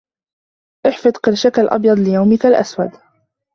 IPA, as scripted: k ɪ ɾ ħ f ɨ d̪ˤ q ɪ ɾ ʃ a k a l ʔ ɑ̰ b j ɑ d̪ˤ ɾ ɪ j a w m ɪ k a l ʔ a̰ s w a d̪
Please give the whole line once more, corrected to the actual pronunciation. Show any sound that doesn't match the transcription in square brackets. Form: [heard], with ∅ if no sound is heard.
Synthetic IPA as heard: [ʔ] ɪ [∅] ħ f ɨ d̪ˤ q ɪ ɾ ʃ a k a l ʔ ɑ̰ b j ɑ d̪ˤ [l] ɪ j a w m ɪ k a l ʔ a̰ s w a d̪